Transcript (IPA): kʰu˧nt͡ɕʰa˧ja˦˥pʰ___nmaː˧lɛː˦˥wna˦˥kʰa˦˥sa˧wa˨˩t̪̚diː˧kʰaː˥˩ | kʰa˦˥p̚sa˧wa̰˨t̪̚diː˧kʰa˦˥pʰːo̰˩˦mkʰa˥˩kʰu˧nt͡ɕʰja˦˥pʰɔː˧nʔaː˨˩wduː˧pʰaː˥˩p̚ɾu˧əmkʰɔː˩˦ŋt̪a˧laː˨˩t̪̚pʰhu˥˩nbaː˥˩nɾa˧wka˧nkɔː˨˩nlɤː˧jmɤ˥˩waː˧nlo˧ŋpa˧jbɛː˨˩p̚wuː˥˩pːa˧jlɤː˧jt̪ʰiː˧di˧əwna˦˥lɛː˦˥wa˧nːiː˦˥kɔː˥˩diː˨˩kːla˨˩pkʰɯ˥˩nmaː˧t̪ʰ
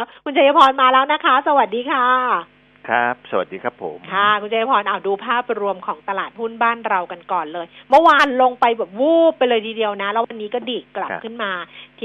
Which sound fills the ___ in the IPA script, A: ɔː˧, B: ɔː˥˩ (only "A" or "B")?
A